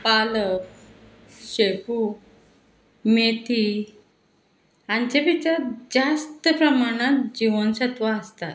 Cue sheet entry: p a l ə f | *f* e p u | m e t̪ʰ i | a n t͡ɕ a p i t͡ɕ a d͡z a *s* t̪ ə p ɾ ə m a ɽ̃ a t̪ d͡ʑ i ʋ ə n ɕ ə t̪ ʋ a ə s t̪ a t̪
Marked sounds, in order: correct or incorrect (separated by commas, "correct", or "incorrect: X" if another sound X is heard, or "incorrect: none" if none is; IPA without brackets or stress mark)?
incorrect: ɕ, correct